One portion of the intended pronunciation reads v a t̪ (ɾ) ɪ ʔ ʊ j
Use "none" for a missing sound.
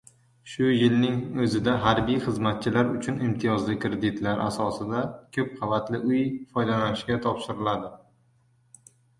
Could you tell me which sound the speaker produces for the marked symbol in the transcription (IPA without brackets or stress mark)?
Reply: l